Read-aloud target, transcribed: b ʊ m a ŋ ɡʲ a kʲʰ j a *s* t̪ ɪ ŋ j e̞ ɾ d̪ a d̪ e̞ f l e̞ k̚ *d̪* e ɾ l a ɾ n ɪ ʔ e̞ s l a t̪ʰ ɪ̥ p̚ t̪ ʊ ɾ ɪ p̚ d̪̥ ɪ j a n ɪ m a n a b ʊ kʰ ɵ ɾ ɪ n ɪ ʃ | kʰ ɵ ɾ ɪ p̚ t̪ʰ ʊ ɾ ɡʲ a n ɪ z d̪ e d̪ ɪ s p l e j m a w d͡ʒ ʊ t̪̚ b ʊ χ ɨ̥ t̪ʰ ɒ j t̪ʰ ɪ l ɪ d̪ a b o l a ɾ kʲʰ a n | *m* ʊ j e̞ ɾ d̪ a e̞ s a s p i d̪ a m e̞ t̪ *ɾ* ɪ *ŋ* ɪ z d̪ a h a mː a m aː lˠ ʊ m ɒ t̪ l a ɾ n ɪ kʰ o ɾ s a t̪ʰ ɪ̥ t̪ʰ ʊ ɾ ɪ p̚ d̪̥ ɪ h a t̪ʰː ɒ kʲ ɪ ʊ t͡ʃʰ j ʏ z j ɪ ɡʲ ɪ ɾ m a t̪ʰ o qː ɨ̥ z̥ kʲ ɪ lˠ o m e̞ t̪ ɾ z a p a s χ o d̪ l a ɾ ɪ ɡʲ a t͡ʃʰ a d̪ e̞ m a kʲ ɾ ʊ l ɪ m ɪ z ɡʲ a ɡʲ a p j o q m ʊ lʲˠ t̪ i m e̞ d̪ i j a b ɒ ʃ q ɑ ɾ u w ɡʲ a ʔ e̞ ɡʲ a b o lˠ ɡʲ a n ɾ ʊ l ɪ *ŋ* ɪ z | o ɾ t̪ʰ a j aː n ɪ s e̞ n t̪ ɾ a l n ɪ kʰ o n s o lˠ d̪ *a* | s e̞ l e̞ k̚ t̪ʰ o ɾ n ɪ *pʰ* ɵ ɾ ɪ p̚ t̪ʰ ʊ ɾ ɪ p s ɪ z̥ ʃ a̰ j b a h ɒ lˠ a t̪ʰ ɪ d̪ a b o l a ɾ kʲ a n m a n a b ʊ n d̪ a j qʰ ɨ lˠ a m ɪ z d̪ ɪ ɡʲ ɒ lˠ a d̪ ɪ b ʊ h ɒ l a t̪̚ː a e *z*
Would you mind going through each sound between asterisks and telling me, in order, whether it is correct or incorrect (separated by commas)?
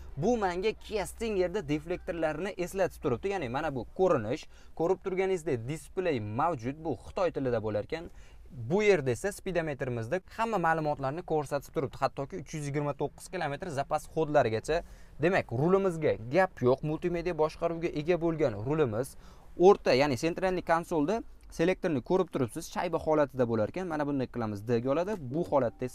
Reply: correct, incorrect, incorrect, correct, incorrect, incorrect, correct, incorrect, incorrect